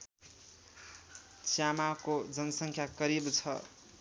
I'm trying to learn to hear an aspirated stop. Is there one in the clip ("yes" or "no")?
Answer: yes